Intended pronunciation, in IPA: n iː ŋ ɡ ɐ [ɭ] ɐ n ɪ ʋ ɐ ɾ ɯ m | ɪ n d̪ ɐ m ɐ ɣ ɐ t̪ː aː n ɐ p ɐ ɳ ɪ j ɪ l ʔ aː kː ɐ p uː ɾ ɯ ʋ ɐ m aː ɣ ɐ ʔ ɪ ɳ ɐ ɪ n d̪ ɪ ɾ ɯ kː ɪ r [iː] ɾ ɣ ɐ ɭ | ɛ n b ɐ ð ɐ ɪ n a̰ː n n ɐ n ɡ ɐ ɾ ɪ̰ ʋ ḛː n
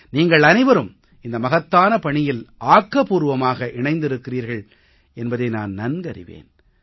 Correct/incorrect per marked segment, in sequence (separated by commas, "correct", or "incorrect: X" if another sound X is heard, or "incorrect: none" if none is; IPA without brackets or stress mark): correct, correct